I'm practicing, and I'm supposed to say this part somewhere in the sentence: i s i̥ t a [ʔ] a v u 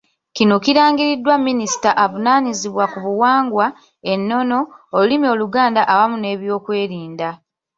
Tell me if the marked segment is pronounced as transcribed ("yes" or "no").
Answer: yes